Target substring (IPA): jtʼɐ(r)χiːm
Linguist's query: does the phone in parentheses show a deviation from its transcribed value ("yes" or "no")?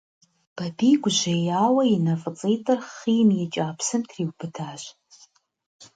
no